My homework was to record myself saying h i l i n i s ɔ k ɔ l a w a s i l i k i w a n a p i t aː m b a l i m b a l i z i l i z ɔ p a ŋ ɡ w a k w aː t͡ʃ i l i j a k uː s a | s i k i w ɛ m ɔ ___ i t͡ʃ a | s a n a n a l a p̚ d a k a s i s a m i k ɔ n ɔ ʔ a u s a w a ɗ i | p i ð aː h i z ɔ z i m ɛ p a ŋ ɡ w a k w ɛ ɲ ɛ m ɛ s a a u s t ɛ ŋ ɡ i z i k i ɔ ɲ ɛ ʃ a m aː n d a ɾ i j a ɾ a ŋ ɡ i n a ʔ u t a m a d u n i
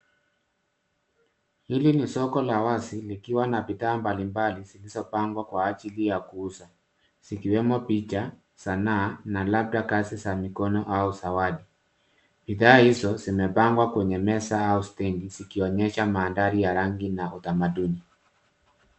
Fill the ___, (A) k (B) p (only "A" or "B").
B